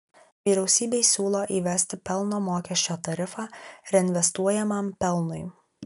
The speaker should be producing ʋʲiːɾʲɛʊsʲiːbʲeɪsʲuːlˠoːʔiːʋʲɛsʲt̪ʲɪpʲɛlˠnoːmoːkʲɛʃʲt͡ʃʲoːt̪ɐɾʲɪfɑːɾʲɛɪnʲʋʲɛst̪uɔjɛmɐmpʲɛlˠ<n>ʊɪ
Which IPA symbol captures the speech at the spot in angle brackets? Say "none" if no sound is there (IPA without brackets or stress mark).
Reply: n